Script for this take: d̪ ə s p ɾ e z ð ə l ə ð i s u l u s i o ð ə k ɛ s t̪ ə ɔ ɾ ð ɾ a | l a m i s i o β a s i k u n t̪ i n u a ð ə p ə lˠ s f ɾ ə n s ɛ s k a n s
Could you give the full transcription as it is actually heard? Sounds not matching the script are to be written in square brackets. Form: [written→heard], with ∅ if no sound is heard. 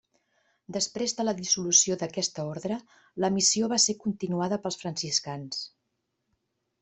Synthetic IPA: d̪ ə s p ɾ e z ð ə l ə ð i s u l u s i o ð ə k ɛ s t̪ ə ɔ ɾ ð ɾ [a→ə] | l [a→ə] m i s i o β a s [i→e] k u n t̪ i n u a ð ə p ə lˠ s f ɾ ə n s [ɛ→i] s k a n s